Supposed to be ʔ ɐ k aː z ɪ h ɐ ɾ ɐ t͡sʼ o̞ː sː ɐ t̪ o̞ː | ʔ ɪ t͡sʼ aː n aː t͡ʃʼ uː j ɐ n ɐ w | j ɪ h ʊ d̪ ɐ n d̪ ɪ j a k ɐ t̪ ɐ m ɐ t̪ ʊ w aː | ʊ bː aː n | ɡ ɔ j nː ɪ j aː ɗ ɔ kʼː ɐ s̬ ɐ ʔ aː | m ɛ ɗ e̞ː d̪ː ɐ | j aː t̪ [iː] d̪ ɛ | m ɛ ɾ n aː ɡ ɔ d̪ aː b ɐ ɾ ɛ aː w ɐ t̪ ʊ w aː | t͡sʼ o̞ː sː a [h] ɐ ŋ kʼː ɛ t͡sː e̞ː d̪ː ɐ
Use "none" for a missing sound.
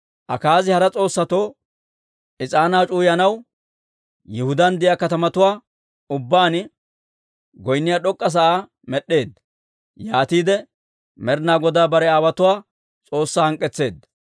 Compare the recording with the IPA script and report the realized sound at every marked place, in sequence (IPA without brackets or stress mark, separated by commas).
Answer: iː, h